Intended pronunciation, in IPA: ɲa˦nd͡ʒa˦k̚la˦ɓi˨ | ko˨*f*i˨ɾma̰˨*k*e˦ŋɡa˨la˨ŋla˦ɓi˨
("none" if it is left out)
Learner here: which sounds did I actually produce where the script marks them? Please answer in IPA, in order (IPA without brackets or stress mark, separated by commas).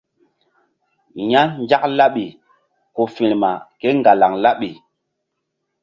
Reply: f, k